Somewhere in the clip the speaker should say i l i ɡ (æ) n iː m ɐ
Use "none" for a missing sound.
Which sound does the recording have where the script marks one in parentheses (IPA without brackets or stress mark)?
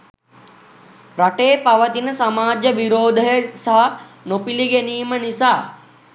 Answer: e